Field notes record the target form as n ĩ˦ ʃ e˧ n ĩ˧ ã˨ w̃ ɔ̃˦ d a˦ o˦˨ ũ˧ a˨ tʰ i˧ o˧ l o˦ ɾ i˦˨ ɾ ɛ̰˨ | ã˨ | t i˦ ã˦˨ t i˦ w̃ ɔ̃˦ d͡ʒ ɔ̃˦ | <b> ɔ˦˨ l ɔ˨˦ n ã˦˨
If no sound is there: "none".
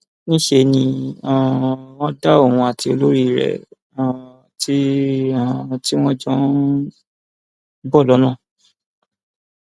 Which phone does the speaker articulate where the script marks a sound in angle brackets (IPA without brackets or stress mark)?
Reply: b